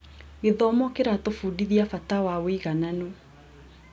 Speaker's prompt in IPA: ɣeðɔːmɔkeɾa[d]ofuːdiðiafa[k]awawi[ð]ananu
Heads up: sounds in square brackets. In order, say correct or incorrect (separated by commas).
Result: incorrect, incorrect, incorrect